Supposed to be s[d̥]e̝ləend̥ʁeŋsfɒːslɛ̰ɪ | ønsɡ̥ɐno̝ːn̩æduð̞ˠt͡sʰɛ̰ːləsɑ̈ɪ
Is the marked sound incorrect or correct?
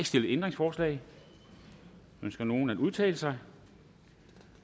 correct